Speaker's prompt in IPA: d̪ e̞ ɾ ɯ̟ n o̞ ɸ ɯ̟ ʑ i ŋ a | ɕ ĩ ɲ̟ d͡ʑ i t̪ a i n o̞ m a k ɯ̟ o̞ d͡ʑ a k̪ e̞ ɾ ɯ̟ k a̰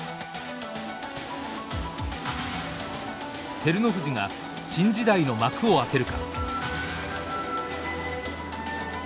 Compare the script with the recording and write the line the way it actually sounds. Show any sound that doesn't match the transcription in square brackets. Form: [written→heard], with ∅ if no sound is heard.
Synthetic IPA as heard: [d̪→t̪] e̞ ɾ ɯ̟ n o̞ ɸ ɯ̟ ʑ i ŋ a | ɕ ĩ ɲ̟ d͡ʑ i [t̪→d̪] a i n o̞ m a k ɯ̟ o̞ [d͡ʑ→∅] a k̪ e̞ ɾ ɯ̟ k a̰